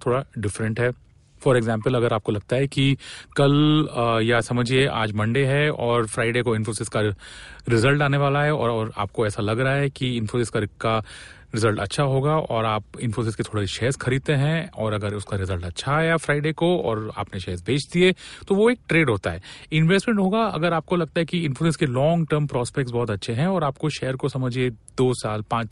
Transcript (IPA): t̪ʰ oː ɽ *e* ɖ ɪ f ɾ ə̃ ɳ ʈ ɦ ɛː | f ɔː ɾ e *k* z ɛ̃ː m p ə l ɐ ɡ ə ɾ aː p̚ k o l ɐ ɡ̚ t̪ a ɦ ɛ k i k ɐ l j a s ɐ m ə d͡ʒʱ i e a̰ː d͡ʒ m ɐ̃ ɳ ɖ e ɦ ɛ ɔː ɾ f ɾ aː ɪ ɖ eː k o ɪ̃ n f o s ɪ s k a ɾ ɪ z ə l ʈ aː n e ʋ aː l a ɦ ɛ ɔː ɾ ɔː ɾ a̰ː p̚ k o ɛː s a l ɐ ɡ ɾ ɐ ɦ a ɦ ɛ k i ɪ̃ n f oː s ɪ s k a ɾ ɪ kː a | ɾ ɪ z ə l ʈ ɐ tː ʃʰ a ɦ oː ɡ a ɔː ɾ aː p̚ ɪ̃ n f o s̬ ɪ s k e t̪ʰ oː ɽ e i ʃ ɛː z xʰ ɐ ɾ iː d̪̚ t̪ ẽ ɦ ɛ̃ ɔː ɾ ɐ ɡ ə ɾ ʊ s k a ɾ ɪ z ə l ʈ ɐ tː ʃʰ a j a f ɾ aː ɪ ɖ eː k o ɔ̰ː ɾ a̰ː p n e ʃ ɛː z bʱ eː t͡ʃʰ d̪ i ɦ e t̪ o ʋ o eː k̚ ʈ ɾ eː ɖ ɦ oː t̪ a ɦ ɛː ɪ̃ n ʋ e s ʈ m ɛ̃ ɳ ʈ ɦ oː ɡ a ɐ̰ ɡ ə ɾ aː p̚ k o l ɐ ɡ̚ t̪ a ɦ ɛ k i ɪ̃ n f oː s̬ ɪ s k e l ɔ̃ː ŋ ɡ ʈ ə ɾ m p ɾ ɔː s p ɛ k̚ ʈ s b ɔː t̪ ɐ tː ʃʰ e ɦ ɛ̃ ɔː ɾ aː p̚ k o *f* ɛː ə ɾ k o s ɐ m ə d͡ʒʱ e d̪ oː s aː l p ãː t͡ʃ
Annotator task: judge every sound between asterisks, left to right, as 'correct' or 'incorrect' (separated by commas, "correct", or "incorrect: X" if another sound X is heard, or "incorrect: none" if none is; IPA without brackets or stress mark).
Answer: incorrect: a, incorrect: ɡ, incorrect: ʃ